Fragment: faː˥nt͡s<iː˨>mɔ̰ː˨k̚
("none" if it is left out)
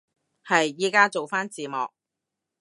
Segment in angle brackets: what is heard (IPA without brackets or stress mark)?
iː˨